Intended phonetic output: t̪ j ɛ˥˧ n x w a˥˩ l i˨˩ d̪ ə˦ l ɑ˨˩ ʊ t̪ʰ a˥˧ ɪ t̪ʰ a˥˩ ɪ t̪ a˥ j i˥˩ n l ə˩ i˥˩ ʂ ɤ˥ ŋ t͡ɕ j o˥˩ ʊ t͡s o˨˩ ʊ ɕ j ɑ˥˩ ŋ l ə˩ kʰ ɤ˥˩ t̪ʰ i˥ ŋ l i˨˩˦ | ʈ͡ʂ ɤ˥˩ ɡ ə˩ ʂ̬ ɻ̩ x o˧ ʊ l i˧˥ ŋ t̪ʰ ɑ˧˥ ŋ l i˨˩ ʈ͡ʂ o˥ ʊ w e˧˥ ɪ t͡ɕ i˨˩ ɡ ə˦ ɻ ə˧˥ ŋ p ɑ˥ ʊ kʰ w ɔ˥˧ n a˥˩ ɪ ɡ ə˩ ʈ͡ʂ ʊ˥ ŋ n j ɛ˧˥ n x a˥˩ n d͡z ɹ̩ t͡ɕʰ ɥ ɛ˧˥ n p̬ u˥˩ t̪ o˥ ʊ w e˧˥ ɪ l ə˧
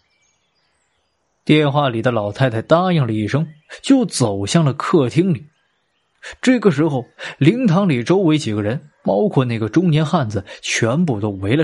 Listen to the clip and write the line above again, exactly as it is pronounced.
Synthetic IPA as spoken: t̪ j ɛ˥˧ n x w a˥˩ l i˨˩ d̪ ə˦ l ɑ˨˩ ʊ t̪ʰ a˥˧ ɪ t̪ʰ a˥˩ ɪ t̪ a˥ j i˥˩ ŋ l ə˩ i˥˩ ʂ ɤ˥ ŋ t͡ɕ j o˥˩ ʊ t͡s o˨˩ ʊ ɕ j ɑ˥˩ ŋ l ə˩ kʰ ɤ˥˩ t̪ʰ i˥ ŋ l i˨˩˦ | ʈ͡ʂ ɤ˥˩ ɡ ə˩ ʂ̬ ɻ̩ x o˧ ʊ l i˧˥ ŋ t̪ʰ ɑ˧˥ ŋ l i˨˩ ʈ͡ʂ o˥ ʊ w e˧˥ ɪ t͡ɕ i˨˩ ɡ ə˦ ɻ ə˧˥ n p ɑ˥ ʊ kʰ w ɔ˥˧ n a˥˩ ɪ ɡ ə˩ ʈ͡ʂ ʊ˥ ŋ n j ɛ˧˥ n x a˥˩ n d͡z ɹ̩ t͡ɕʰ ɥ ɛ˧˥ n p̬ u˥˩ t̪ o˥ ʊ w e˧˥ ɪ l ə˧